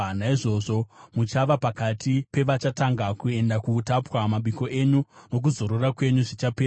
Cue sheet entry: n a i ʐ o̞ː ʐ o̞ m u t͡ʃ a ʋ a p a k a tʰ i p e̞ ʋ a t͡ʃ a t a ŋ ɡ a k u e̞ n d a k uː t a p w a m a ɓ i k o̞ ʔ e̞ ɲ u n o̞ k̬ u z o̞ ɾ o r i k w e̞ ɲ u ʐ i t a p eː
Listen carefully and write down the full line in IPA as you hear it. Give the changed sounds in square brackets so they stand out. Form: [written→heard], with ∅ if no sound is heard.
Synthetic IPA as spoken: n a i ʐ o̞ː ʐ o̞ m u t͡ʃ a ʋ a p a k a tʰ i p e̞ ʋ a t͡ʃ a t a ŋ ɡ a k u e̞ n d a k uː t a p w a m a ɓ i k o̞ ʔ e̞ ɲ u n o̞ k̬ u z o̞ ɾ o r [i→a] k w e̞ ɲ u ʐ i [t→t͡ʃ] a p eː